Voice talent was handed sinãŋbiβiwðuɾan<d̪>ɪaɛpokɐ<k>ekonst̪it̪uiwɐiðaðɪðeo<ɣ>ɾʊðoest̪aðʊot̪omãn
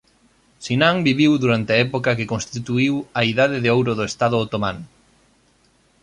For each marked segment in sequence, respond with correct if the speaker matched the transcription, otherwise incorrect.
incorrect, correct, incorrect

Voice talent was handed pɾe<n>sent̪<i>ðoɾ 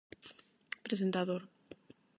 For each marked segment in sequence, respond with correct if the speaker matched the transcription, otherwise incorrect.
incorrect, incorrect

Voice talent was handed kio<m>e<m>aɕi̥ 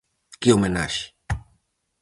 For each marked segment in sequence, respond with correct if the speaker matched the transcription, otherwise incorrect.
correct, incorrect

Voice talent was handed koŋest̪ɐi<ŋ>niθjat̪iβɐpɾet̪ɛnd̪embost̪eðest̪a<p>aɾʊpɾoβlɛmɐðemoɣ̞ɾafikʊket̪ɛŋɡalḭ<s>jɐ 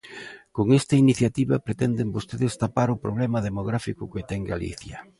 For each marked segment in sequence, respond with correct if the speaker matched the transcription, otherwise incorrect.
incorrect, correct, incorrect

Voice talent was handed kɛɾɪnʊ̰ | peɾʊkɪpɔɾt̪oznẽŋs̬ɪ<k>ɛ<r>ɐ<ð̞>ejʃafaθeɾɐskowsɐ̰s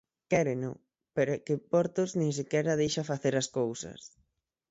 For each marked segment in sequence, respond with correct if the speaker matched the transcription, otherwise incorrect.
correct, incorrect, correct

